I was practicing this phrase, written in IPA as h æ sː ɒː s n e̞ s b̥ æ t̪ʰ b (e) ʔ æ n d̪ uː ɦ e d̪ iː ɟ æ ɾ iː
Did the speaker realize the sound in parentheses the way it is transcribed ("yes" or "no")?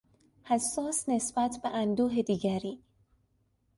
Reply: yes